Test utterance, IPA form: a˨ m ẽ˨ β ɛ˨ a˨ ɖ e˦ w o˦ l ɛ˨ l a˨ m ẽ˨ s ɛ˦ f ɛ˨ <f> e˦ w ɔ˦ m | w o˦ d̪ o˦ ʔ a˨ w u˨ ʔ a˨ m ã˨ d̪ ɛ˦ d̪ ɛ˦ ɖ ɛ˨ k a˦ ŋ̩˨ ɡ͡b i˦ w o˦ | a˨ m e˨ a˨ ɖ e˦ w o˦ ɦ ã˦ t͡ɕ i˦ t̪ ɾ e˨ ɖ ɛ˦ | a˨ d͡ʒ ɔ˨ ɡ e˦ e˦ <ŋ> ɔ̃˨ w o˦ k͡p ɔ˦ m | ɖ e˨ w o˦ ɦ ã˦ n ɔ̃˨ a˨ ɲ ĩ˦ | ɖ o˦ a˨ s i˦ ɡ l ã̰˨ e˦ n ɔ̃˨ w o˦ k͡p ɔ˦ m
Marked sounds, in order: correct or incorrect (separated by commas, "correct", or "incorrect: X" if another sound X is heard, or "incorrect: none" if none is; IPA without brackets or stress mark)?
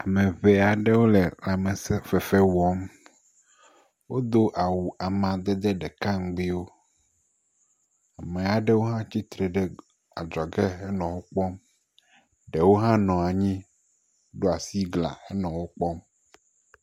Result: correct, incorrect: n